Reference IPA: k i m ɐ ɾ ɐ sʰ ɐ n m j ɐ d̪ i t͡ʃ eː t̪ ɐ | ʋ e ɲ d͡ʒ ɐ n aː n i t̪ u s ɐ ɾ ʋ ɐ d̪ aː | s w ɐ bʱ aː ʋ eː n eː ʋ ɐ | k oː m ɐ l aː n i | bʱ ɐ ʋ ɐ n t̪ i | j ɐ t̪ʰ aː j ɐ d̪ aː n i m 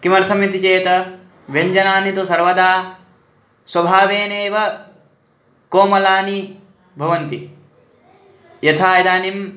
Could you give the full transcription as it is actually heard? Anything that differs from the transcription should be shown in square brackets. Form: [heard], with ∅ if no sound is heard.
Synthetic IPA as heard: k i m ɐ ɾ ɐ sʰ ɐ [∅] m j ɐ [t̪] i t͡ʃ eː t̪ ɐ | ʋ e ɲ d͡ʒ ɐ n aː n i t̪ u s ɐ ɾ ʋ ɐ d̪ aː | s w ɐ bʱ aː ʋ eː n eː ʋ ɐ | k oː m ɐ l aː n i | bʱ ɐ ʋ ɐ n t̪ i | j ɐ t̪ʰ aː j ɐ d̪ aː n i m